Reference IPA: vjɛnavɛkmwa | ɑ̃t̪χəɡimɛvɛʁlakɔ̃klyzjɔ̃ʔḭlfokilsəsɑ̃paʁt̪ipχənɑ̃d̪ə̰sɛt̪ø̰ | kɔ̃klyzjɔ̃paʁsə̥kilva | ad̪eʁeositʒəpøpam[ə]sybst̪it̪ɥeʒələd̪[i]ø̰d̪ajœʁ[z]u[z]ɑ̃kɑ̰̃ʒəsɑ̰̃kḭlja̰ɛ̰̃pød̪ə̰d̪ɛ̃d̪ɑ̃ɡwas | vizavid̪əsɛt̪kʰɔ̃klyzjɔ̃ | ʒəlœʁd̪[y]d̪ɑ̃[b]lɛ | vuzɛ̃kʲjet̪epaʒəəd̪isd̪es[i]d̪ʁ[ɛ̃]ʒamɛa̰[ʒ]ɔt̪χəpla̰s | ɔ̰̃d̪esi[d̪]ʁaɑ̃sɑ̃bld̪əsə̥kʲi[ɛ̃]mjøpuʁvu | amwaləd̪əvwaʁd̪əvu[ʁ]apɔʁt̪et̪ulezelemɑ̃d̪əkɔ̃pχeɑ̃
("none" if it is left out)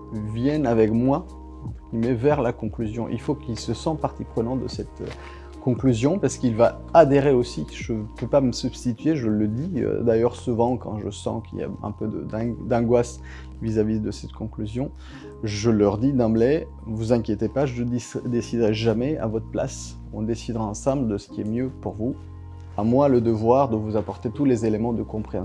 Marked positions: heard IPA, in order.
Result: ə, i, s, v, i, b, i, ɛ, v, d̪, ɛ, z

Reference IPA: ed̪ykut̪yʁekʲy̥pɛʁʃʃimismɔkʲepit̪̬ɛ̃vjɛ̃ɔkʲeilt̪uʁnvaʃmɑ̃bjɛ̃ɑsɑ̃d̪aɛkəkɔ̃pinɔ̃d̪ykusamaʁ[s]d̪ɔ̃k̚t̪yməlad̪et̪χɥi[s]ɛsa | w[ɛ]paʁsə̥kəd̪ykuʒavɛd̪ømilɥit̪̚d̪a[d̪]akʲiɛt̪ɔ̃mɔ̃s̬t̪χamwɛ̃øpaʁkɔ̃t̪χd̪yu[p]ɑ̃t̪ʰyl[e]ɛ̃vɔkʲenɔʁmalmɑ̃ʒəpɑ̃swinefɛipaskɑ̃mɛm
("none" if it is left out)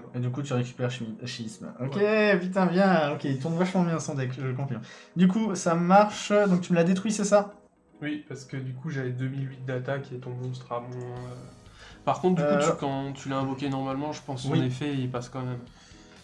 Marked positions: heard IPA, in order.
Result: ʃ, s, i, t̪, k, a

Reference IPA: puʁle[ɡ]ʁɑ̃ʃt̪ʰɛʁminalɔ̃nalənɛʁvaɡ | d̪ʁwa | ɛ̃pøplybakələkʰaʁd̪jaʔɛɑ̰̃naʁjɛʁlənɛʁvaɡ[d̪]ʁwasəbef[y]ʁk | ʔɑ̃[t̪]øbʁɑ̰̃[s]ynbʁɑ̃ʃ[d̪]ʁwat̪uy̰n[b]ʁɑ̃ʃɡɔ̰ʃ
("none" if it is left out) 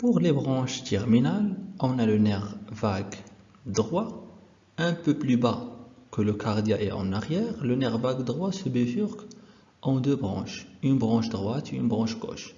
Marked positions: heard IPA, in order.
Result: b, d̪, y, d̪, ʃ, d̪, b

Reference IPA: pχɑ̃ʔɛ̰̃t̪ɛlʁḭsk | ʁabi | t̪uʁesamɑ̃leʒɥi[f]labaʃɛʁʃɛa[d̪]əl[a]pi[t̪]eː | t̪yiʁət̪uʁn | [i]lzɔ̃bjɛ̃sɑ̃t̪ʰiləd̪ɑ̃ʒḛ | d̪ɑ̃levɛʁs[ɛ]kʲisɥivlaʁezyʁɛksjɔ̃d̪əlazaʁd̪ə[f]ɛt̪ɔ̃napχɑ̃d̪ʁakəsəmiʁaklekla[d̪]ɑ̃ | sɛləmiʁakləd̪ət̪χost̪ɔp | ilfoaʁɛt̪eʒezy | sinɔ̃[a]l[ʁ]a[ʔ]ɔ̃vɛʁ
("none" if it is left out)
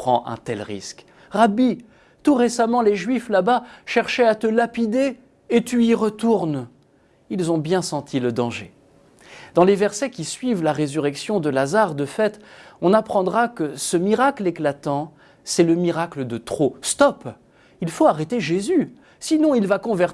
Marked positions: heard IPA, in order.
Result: f, t̪, a, d̪, i, ɛ, f, t̪, i, v, k

